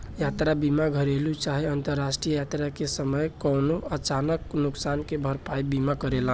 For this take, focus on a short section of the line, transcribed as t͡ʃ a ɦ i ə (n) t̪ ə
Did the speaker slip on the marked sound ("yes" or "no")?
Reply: no